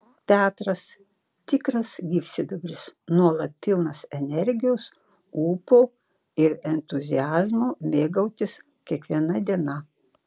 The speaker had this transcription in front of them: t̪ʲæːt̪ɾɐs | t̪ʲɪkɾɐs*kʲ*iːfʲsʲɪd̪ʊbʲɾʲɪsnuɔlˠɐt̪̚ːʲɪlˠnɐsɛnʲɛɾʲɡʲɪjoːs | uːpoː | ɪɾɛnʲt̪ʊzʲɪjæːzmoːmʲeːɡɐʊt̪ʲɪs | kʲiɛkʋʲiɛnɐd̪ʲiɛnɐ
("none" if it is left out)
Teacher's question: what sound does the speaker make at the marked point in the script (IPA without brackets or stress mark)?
ɡʲ